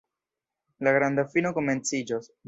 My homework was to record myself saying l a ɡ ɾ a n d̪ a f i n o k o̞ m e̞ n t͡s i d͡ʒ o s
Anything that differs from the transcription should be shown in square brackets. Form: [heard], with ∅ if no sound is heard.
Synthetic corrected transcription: l a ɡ ɾ a n d̪ a f i n o k o̞ m e̞ n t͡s i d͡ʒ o s